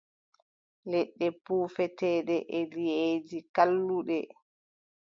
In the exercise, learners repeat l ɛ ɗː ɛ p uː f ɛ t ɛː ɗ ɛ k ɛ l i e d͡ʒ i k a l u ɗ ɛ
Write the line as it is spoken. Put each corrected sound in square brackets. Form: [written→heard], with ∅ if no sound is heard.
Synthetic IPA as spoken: l ɛ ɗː ɛ p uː f ɛ t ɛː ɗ ɛ [k→ʔ] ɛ l i e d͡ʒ i k a [l→lː] u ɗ ɛ